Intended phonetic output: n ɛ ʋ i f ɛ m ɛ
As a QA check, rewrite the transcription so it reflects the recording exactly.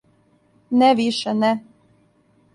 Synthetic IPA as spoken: n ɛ ʋ i ʃ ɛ n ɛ